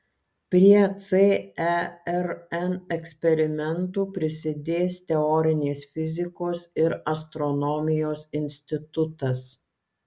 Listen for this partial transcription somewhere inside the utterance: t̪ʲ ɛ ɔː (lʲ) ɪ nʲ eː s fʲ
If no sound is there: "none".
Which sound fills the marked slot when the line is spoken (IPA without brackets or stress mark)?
ɾʲ